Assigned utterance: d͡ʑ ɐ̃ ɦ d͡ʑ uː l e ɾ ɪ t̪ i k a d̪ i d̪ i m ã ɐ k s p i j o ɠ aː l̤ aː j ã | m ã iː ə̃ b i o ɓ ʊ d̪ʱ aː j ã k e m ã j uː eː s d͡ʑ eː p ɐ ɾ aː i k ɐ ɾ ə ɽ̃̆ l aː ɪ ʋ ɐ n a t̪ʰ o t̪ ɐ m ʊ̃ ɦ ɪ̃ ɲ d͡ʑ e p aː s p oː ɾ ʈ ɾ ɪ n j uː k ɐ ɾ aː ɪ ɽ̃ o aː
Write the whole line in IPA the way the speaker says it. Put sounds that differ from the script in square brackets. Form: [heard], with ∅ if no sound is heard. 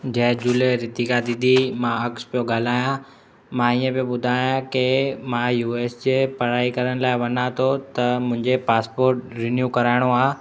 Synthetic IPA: d͡ʑ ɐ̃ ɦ d͡ʑ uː l e ɾ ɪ t̪ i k a d̪ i d̪ i m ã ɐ k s p i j o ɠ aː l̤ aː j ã | m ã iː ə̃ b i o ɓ ʊ d̪ʱ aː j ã k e m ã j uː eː s d͡ʑ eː p ɐ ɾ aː i k ɐ ɾ ə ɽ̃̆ l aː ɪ ʋ ɐ n a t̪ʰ o t̪ ɐ m ʊ̃ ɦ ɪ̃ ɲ d͡ʑ e p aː s p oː ɾ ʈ ɾ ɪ n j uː k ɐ ɾ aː ɪ ɽ̃ o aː